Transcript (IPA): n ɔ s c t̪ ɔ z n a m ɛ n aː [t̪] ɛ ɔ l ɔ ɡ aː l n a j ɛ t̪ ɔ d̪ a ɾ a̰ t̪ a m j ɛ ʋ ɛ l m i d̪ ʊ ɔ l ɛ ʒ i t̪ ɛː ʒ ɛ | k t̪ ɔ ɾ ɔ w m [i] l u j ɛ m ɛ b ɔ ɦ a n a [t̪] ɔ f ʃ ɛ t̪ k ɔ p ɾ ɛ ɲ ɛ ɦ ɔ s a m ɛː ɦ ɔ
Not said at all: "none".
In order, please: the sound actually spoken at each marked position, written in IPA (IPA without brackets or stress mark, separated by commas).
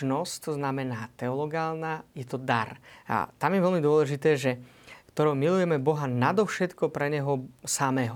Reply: t̪, i, d̪